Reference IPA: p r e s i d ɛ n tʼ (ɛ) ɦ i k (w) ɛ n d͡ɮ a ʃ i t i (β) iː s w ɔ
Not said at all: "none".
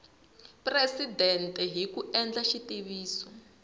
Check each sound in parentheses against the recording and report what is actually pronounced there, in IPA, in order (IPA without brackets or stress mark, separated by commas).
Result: ɛ, u, β